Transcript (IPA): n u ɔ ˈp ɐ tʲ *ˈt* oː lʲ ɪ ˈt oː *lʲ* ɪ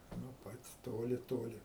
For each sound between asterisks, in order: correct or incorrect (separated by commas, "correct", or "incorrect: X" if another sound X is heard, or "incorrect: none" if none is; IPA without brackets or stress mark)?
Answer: correct, correct